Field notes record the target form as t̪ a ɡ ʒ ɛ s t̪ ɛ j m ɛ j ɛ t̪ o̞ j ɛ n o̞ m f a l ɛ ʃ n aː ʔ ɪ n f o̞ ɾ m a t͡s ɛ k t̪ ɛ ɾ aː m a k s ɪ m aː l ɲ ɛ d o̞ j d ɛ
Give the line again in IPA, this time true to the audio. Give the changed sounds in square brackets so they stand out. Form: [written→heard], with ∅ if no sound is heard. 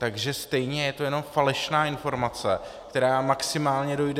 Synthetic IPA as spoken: t̪ a ɡ ʒ ɛ s t̪ ɛ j [m→ɲ] ɛ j ɛ t̪ o̞ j ɛ n o̞ m f a l ɛ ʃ n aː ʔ ɪ n f o̞ ɾ m a t͡s ɛ k t̪ ɛ ɾ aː m a k s ɪ m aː l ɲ ɛ d o̞ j d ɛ